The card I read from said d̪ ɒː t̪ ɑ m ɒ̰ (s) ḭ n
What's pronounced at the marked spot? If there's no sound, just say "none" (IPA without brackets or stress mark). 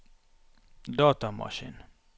ʃ